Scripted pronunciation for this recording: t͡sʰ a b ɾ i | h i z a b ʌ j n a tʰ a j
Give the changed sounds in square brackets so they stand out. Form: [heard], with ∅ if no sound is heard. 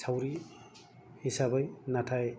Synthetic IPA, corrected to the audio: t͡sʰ a [w] ɾ i | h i [s] a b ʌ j n a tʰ a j